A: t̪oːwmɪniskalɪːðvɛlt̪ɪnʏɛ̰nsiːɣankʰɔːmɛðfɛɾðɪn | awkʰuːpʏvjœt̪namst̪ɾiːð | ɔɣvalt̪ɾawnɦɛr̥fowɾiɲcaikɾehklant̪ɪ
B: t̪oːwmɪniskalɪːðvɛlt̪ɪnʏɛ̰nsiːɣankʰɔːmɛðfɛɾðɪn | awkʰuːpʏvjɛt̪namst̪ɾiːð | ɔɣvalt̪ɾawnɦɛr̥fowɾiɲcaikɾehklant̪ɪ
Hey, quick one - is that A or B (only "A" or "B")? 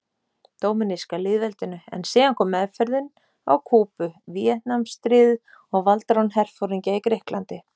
B